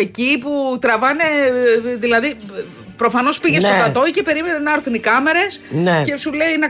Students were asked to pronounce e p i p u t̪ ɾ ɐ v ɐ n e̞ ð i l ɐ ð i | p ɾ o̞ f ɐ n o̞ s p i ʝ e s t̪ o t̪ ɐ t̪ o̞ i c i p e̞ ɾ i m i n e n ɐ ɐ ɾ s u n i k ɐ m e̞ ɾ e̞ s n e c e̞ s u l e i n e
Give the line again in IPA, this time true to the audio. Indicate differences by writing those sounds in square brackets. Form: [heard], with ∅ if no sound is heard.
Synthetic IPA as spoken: e [c] i p u t̪ ɾ ɐ v ɐ n e̞ ð i l ɐ ð i | p ɾ o̞ f ɐ n o̞ s p i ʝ e s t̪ o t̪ ɐ t̪ o̞ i c [e] p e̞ ɾ i m [e] n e n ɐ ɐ ɾ [θ] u n i k ɐ m e̞ ɾ e̞ s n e c e̞ s u l e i n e